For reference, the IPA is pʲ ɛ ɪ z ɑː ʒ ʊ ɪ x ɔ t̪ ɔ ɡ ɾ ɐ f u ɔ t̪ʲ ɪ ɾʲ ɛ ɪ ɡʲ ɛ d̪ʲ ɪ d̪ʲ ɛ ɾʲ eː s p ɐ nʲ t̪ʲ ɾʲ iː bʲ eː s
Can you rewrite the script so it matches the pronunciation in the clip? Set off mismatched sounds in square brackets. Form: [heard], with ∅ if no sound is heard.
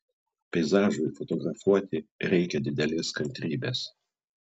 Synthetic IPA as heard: pʲ ɛ ɪ z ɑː ʒ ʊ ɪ [f] ɔ t̪ ɔ ɡ ɾ ɐ f u ɔ t̪ʲ ɪ ɾʲ ɛ ɪ [kʲ] ɛ d̪ʲ ɪ d̪ʲ ɛ [lʲ] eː s [k] ɐ nʲ t̪ʲ ɾʲ iː bʲ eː s